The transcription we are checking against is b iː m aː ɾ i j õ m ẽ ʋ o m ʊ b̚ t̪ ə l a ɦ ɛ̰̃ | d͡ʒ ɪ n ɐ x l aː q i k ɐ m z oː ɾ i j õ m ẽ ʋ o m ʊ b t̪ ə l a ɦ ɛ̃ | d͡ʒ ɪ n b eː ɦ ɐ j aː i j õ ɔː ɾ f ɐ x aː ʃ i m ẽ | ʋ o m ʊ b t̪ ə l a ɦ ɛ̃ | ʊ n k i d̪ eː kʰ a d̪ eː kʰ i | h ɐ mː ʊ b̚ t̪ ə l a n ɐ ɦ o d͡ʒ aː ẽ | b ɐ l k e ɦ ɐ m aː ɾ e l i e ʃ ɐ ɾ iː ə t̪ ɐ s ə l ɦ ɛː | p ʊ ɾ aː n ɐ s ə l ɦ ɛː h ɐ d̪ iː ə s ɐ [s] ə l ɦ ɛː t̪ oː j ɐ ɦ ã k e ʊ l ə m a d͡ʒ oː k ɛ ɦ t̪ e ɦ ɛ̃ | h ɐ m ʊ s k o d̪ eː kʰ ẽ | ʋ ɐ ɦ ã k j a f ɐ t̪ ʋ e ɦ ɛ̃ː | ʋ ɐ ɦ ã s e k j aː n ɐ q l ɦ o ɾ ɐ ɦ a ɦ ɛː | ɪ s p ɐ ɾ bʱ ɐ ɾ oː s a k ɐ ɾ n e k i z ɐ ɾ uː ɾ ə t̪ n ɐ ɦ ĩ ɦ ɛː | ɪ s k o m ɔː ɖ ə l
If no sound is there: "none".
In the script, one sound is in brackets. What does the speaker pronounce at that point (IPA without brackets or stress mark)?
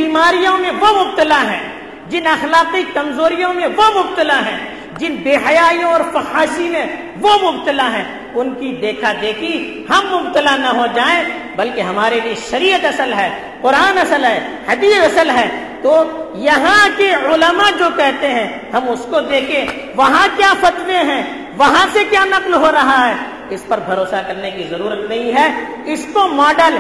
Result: s